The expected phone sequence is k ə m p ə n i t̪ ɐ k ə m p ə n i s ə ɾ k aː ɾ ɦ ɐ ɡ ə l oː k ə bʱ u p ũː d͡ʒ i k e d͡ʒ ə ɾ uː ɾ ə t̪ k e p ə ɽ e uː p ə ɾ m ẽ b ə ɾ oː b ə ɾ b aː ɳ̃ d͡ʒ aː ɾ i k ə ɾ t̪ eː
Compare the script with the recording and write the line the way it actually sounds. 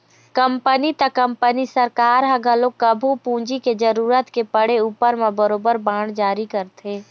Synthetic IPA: k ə m p ə n i t̪ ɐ k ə m p ə n i s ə ɾ k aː ɾ ɦ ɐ ɡ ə l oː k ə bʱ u p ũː d͡ʒ i k e d͡ʒ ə ɾ uː ɾ ə t̪ k e p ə ɽ e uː p ə ɾ m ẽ b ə ɾ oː b ə ɾ b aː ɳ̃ d͡ʒ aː ɾ i k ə ɾ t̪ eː